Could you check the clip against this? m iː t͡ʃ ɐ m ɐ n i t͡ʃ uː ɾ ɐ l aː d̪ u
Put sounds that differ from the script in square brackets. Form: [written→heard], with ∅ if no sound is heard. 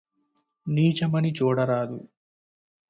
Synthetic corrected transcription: [m→n] iː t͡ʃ ɐ m ɐ n i t͡ʃ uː [ɾ→ɽ] ɐ [l→ɾ] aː d̪ u